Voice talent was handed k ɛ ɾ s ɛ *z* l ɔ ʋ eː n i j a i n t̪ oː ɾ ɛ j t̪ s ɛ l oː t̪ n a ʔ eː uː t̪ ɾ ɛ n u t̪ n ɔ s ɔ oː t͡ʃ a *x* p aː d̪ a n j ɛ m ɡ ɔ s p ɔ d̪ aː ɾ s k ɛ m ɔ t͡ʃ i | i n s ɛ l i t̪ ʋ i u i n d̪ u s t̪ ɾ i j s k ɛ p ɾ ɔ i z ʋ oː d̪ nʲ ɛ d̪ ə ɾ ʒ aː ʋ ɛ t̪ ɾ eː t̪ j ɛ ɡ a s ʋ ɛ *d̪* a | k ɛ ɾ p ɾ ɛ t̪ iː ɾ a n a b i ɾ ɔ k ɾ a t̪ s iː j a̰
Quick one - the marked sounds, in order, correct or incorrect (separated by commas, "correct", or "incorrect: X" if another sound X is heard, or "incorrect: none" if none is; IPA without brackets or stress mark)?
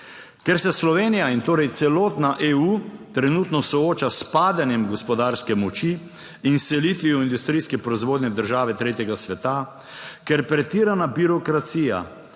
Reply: incorrect: s, incorrect: s, incorrect: t̪